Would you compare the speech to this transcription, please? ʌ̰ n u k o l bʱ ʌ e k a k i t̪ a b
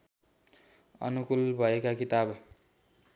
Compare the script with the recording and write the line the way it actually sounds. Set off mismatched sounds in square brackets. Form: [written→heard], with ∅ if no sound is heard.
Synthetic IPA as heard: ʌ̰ n u k [o→u] l bʱ ʌ e k a k i t̪ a b